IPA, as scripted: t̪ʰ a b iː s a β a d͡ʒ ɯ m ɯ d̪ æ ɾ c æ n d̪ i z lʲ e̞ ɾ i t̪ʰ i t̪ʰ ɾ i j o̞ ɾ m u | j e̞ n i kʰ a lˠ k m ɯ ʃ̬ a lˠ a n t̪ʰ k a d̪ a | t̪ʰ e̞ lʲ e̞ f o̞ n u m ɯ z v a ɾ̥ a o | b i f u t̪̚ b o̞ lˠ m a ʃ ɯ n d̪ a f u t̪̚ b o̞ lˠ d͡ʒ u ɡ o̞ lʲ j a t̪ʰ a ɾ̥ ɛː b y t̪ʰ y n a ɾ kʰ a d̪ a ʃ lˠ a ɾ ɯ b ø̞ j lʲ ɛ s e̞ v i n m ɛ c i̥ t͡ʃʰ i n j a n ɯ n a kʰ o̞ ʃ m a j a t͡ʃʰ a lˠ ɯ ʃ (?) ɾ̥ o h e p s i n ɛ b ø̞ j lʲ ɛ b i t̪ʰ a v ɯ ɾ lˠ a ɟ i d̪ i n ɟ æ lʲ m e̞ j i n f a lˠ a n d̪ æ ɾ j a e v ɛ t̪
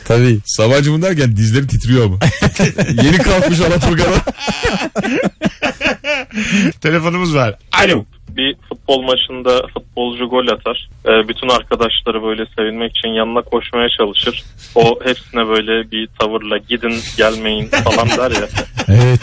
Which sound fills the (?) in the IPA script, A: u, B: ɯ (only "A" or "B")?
B